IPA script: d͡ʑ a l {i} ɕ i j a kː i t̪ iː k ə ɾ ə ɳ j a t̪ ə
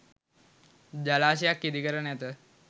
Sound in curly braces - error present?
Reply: yes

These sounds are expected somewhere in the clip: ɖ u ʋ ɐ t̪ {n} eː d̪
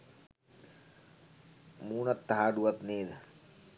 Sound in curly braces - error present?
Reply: no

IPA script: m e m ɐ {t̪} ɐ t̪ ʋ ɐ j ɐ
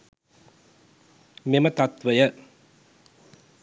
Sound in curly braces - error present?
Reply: no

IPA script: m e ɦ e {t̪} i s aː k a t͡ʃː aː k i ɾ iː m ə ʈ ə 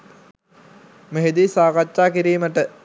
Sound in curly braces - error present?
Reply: yes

